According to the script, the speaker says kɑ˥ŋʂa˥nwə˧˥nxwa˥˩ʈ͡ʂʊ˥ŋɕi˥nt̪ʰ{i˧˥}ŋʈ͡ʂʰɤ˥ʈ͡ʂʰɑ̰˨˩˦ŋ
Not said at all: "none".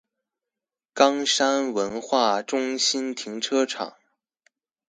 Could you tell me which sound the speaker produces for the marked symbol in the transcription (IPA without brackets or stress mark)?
i˧˥